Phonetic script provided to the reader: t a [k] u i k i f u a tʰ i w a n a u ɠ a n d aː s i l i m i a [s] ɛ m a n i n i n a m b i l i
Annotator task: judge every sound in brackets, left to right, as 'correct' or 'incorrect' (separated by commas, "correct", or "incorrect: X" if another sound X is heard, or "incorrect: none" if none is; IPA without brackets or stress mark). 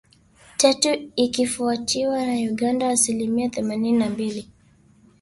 incorrect: t, incorrect: θ